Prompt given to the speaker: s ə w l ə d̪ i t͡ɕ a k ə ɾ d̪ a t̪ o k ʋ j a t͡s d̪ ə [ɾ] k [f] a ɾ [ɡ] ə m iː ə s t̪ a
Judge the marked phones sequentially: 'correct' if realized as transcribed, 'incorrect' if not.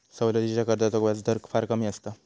correct, correct, incorrect

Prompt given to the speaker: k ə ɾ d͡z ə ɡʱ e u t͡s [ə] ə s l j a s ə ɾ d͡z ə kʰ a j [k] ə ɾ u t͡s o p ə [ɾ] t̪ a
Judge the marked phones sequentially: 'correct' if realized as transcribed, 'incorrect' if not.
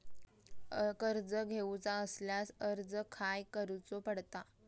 incorrect, correct, incorrect

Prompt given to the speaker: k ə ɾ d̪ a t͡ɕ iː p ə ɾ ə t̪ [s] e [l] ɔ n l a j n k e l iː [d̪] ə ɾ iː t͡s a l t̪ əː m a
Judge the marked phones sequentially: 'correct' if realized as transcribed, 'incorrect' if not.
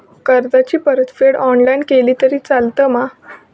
incorrect, incorrect, incorrect

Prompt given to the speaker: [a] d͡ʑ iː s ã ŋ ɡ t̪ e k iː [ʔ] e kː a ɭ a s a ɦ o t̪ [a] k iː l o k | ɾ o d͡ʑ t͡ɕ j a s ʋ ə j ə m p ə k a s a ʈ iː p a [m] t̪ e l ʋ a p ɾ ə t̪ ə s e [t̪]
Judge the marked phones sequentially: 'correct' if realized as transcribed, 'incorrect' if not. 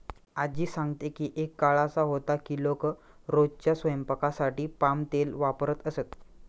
correct, correct, correct, correct, correct

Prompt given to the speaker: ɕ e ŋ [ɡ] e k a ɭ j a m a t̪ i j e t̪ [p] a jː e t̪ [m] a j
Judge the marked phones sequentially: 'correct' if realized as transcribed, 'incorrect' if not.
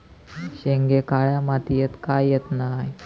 correct, incorrect, incorrect

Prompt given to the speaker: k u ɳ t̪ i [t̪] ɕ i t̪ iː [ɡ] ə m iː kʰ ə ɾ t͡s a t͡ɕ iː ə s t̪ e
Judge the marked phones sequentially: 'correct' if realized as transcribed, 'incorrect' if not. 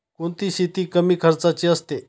incorrect, incorrect

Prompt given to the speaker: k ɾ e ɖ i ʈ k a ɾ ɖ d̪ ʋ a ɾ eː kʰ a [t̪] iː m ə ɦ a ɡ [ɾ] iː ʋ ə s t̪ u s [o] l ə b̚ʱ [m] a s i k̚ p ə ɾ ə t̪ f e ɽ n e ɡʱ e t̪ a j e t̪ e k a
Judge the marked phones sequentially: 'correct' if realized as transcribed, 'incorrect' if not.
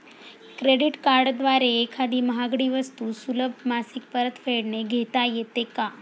incorrect, incorrect, incorrect, correct

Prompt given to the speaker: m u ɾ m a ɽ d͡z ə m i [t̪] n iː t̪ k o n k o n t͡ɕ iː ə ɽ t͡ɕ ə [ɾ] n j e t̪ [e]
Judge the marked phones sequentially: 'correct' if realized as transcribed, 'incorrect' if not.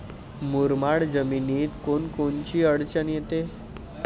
incorrect, incorrect, correct

